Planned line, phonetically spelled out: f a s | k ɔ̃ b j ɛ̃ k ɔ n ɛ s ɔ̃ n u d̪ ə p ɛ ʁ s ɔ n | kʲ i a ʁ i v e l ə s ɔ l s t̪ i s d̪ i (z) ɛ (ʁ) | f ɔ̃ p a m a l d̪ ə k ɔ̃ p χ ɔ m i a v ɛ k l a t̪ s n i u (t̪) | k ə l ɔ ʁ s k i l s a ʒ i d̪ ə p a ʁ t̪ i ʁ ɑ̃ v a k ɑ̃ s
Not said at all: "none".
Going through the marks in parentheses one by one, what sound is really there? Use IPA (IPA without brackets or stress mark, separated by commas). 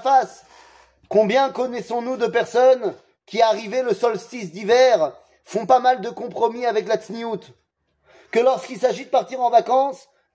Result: v, ʁ, t̪